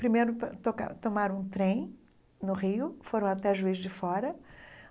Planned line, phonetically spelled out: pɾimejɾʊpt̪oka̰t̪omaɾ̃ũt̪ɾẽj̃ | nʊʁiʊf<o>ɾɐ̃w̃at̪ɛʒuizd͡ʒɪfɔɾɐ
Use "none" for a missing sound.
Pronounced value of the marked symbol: o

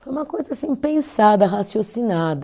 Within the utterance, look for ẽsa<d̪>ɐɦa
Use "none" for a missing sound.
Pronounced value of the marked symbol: d̪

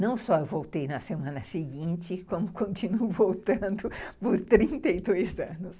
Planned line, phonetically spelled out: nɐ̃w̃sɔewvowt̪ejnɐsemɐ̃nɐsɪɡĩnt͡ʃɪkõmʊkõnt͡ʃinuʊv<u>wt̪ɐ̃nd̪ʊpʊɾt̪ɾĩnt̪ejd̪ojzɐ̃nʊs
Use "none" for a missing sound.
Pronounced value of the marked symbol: o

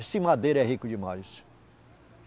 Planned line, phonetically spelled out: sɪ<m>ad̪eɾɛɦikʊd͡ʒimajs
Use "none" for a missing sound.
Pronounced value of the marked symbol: m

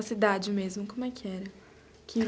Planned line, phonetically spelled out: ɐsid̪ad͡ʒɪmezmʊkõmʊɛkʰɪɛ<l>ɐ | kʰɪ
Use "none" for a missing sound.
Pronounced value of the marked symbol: ɾ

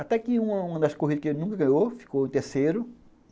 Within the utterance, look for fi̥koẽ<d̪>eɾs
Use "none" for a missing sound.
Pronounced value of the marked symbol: t̪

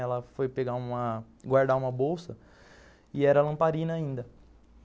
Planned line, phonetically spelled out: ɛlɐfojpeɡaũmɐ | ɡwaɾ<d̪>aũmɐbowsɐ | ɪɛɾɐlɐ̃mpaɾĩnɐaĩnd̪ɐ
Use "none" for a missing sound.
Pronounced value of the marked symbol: d̪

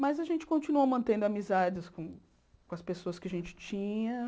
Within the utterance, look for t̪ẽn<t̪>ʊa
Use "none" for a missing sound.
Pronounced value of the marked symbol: d̪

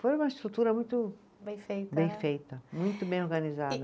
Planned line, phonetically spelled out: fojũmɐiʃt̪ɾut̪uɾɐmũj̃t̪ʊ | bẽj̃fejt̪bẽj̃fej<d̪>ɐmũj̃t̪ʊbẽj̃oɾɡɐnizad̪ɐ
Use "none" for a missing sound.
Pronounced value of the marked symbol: t̪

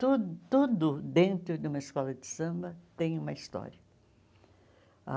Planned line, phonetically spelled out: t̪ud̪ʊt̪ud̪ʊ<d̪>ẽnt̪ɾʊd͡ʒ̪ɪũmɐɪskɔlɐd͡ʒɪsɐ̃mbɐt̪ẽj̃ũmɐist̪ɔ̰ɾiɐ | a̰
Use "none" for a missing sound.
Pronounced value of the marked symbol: d̪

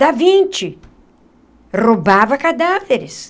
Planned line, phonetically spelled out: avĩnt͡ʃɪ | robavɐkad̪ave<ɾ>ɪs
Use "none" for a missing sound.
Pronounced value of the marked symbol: ɾ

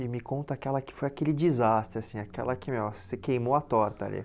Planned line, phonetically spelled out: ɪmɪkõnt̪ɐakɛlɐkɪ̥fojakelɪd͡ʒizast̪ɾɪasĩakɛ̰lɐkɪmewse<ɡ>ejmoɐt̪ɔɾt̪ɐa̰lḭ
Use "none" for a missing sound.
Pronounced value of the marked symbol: k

